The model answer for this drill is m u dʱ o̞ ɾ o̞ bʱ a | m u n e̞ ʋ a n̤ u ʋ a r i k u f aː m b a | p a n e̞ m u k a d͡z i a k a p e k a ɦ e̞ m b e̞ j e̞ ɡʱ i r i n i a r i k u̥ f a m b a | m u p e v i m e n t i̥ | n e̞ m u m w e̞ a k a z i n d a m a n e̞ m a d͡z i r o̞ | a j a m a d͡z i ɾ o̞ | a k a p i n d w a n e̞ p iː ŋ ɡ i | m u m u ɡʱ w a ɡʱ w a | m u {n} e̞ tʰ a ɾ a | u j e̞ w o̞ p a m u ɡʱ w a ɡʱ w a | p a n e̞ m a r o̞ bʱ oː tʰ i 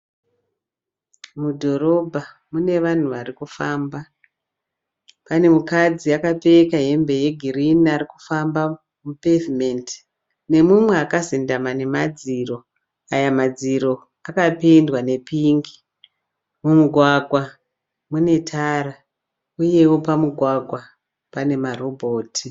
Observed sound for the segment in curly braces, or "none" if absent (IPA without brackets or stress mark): n